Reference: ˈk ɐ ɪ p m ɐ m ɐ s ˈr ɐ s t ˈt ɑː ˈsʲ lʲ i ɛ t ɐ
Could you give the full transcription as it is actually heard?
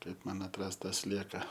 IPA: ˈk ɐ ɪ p m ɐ n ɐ t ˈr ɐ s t ˈt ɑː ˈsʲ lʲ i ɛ k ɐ

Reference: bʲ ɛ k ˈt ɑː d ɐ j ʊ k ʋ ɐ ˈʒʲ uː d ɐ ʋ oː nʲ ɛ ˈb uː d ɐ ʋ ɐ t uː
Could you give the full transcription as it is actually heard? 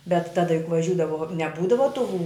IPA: bʲ ɛ t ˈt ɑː d ɐ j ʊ k ʋ ɐ ˈʒʲ uː d ɐ ʋ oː nʲ ɛ ˈb uː d ɐ ʋ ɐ t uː

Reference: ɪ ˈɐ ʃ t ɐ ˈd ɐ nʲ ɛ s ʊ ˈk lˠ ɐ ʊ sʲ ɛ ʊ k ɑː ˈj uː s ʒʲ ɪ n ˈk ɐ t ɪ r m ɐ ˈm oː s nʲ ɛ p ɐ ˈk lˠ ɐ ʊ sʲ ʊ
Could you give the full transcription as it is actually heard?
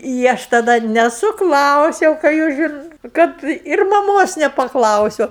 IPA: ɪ ˈɐ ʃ t ɐ ˈd ɐ nʲ ɛ s ʊ ˈk lˠ ɐ ʊ sʲ ɛ ʊ k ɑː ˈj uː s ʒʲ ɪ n ˈk ɐ t ɪ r m ɐ ˈm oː s nʲ ɛ p ɐ ˈk lˠ ɐ ʊ sʲ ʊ

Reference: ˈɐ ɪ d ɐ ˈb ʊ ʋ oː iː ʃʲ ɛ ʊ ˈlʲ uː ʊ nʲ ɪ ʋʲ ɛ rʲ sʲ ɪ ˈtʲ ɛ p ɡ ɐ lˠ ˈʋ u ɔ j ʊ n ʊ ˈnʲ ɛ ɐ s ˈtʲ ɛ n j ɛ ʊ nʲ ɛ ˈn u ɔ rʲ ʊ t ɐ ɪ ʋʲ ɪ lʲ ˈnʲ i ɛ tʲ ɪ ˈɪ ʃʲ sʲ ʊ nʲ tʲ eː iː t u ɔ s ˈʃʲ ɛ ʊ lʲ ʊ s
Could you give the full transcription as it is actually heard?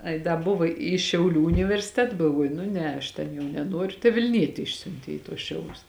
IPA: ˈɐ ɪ d ɐ ˈb ʊ ʋ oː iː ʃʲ ɛ ʊ ˈlʲ uː ʊ nʲ ɪ ʋʲ ɛ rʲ sʲ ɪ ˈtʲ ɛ t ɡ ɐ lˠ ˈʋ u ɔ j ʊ n ʊ ˈnʲ ɛ ɐ ʃ ˈtʲ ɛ n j ɛ ʊ nʲ ɛ ˈn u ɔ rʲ ʊ t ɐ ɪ ʋʲ ɪ lʲ ˈnʲ i ɛ tʲ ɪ ˈɪ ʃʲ sʲ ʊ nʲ tʲ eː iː t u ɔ s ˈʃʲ ɛ ʊ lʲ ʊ s

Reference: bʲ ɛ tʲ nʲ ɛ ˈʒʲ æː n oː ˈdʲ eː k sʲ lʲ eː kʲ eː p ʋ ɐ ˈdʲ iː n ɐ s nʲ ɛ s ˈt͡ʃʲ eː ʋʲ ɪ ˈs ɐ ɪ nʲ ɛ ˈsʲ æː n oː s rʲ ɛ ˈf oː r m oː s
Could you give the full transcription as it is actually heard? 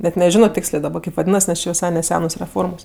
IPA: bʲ ɛ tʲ nʲ ɛ ˈʒʲ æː n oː ˈtʲ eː k sʲ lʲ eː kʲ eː p ʋ ɐ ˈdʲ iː n ɐ s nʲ ɛ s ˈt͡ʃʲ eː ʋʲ ɪ ˈs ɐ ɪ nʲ ɛ ˈsʲ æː n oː s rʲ ɛ ˈf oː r m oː s

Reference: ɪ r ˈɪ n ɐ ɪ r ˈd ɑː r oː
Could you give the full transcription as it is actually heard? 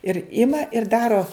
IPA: ɪ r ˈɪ m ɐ ɪ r ˈd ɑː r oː

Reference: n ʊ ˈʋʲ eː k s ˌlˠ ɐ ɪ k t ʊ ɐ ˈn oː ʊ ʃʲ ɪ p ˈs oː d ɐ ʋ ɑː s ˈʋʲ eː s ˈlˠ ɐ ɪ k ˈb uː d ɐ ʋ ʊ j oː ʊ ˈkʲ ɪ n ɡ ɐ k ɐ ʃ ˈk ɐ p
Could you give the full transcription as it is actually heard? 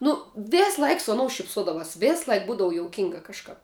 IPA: n ʊ ˈʋʲ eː s ˌlˠ ɐ ɪ k s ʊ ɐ ˈn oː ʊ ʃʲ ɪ p ˈs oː d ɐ ʋ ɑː s ˈʋʲ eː s ˈlˠ ɐ ɪ k ˈb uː d ɐ ʋ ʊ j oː ʊ ˈkʲ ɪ ŋ ɡ ɐ k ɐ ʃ ˈk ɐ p

